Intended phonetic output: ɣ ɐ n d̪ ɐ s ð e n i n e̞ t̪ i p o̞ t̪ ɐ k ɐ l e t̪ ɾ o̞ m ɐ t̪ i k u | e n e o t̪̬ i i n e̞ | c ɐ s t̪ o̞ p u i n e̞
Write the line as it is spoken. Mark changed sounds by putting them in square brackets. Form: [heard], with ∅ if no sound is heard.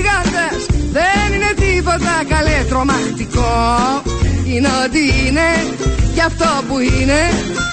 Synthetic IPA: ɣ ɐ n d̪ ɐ s ð e n i n e̞ t̪ i p o̞ t̪ ɐ k ɐ l e t̪ ɾ o̞ m ɐ t̪ i k [o] | [i] n e o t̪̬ i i n e̞ | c ɐ [f] t̪ o̞ p u i n e̞